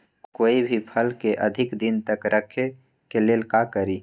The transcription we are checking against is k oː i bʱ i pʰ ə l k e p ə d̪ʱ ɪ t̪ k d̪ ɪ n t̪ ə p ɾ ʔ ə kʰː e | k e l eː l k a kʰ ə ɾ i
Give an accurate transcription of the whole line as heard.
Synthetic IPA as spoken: k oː i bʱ i pʰ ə l k e ʔ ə d̪ʱ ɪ k d̪ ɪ n t̪ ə k ɾ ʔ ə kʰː e | k e l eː l k a k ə ɾ i